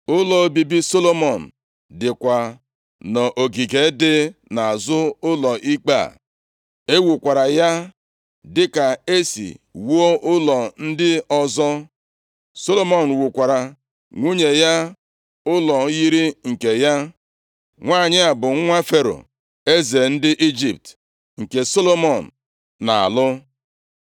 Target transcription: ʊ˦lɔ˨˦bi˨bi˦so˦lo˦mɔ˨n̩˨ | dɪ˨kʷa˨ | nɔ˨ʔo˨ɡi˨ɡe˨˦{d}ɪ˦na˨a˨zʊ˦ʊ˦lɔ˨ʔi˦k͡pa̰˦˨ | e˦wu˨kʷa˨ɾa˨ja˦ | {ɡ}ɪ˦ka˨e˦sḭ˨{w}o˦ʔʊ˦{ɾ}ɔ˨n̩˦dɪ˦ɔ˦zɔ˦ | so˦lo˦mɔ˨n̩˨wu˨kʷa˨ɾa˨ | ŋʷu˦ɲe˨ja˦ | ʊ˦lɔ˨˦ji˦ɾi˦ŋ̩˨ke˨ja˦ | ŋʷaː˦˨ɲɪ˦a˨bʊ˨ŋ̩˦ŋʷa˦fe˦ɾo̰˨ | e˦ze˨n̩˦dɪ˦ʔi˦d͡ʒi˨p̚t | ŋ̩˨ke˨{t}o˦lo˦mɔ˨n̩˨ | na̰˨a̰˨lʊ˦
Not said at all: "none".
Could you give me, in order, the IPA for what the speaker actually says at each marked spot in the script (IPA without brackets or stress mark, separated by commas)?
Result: d, d, w, l, s